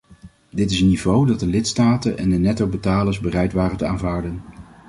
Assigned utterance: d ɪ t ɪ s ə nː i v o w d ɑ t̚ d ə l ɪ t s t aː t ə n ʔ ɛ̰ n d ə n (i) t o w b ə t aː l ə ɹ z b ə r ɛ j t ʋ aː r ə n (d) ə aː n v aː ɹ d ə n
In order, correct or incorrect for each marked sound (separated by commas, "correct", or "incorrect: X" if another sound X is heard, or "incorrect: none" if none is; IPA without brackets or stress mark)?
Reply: incorrect: ɛ, incorrect: t